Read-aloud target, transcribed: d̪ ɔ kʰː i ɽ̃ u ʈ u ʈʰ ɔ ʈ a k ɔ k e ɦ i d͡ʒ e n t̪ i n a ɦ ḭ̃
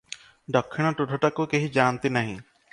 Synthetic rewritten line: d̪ ɔ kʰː i ɽ̃ ɔ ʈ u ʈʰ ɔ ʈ a k u k e ɦ i d͡ʒ a n t̪ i n a ɦ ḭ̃